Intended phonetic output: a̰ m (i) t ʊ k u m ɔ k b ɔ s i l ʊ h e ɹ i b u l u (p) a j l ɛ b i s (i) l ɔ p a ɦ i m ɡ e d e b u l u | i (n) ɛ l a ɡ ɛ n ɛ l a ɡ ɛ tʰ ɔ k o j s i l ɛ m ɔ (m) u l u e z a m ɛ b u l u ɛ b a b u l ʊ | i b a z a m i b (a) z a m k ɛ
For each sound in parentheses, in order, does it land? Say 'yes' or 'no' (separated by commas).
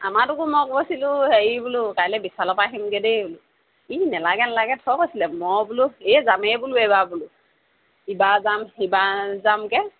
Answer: no, no, no, yes, no, yes